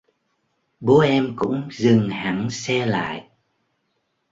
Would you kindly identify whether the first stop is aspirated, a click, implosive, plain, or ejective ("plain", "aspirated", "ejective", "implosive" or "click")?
implosive